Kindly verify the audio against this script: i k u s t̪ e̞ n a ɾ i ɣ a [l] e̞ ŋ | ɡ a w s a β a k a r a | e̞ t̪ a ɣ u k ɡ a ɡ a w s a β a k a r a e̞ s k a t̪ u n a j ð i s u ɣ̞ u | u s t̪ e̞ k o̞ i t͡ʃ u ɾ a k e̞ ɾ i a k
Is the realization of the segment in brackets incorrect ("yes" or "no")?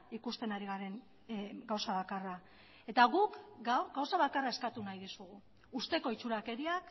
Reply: yes